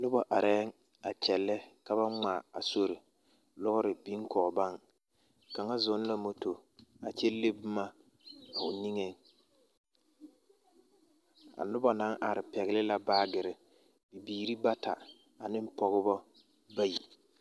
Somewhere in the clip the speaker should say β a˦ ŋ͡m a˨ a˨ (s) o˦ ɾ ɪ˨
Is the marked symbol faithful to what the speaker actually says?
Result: yes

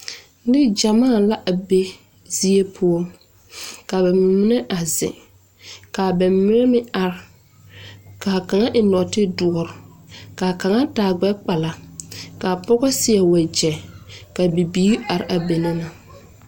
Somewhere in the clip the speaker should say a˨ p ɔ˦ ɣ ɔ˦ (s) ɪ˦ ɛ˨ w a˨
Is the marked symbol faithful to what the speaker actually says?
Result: yes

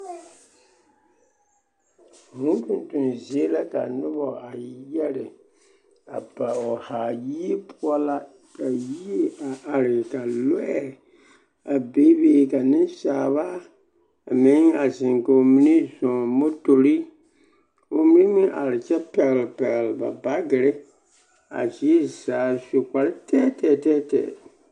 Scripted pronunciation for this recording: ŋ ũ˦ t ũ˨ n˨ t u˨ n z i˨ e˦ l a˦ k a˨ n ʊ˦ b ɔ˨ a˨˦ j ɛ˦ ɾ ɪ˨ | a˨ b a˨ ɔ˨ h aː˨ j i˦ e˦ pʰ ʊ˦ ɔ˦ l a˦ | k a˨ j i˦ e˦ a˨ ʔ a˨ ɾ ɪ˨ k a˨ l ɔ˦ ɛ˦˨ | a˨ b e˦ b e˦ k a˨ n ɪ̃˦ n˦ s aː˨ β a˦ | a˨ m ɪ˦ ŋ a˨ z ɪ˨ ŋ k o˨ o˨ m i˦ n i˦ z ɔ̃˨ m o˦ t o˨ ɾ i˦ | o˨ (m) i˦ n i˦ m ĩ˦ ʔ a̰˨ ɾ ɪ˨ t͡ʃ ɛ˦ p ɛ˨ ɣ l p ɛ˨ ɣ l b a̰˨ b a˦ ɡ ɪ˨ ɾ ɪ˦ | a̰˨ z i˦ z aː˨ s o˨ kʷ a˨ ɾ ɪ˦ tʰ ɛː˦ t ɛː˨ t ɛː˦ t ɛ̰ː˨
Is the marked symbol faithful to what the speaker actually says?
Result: yes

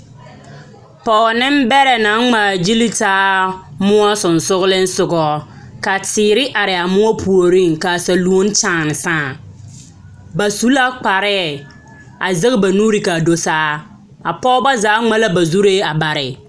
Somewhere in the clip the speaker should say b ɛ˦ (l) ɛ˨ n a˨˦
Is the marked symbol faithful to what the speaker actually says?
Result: no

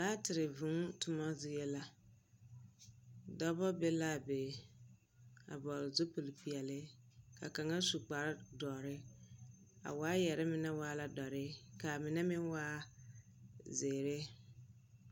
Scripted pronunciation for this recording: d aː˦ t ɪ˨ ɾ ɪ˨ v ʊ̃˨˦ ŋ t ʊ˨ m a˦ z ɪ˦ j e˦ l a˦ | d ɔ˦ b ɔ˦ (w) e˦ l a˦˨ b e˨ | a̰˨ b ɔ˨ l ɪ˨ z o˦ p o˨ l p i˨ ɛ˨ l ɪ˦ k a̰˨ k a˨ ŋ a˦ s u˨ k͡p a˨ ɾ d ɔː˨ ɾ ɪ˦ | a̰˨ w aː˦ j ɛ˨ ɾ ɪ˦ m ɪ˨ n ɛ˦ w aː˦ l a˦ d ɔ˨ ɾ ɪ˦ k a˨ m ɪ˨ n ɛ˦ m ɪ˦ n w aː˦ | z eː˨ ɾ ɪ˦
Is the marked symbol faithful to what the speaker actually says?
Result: no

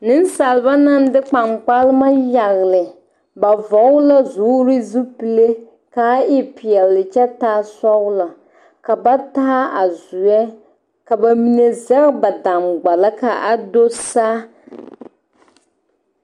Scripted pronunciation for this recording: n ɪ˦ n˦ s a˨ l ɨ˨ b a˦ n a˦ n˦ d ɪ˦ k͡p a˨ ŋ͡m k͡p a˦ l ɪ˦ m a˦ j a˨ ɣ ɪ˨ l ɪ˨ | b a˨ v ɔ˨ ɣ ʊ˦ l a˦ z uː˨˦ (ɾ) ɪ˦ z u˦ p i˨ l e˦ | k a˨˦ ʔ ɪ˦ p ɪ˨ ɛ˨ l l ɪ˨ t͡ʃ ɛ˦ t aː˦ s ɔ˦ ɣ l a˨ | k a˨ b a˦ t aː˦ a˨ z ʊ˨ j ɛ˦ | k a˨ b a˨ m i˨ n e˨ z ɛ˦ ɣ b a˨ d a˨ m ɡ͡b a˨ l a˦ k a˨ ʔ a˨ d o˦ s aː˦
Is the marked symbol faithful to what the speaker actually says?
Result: yes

